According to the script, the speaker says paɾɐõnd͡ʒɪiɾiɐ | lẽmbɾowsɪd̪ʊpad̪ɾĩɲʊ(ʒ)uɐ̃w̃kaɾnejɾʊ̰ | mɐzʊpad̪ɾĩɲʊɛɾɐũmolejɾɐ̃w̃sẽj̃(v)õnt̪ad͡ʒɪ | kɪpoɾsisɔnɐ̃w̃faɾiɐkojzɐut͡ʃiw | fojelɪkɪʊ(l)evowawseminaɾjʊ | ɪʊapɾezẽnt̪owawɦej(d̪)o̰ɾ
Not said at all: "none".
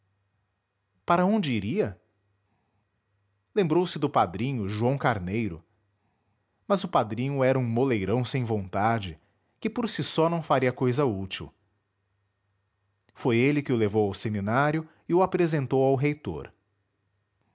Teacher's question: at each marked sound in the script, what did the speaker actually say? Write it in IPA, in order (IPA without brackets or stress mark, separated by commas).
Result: ʒ, v, l, t̪